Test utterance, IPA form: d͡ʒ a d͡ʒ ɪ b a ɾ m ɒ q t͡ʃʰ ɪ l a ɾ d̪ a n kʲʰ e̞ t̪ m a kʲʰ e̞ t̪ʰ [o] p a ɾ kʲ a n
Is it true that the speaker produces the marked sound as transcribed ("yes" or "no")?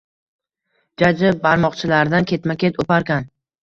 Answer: yes